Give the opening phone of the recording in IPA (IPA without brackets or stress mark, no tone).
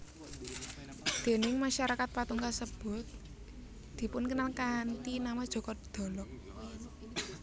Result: d̪̥